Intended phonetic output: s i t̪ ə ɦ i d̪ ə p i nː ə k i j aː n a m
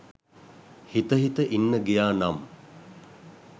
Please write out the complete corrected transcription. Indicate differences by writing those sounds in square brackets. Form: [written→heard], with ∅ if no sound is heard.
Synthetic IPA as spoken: [s→h] i t̪ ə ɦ i [d̪→t̪] ə [p→ʔ] i nː ə [k→ɡ] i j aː n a m